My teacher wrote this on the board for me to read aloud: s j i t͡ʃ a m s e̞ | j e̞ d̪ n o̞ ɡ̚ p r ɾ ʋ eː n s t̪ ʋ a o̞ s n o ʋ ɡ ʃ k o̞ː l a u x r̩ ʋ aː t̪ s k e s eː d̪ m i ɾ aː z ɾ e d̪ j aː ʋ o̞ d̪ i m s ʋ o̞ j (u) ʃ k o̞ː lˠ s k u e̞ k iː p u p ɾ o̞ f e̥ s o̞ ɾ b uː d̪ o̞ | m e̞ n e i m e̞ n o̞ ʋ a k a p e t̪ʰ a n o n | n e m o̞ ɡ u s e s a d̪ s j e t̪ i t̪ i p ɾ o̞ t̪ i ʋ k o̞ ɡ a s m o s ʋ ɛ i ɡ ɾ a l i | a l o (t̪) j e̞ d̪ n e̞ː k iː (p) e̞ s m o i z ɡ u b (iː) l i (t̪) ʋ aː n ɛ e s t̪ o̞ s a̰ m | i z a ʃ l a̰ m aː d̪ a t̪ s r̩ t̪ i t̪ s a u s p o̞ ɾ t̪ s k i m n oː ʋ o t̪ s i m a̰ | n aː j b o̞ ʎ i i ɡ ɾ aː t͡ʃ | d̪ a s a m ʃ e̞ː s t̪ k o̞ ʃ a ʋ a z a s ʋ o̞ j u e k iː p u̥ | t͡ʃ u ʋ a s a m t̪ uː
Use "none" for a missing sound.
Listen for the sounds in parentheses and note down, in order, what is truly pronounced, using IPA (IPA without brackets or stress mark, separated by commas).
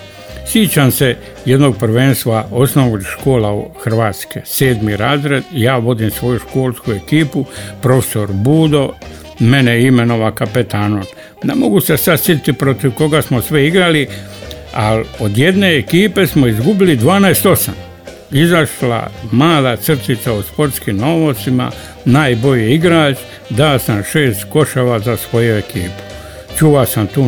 u, d̪, p, i, d̪